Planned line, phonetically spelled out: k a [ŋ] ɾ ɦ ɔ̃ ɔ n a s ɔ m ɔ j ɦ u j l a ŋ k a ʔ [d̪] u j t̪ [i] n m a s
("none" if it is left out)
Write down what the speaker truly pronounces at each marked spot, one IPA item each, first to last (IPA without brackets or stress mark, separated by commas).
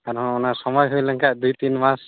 none, d̪, i